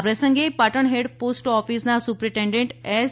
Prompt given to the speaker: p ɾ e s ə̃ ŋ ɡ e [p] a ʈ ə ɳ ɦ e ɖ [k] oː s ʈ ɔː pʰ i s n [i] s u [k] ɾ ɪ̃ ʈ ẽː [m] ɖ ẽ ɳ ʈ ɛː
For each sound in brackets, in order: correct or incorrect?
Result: correct, incorrect: p, incorrect: a, incorrect: p, incorrect: ɳ

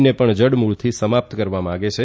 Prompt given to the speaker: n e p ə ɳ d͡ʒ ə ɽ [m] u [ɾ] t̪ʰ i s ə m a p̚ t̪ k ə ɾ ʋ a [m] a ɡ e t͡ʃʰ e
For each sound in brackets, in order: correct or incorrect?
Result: correct, incorrect: ɭ, correct

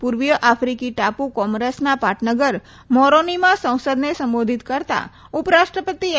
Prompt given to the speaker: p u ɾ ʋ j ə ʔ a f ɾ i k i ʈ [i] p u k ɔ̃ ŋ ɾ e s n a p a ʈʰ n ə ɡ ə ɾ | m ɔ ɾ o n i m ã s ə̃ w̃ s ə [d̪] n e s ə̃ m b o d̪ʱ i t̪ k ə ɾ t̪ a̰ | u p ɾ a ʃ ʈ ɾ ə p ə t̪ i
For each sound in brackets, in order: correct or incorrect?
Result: incorrect: a, correct

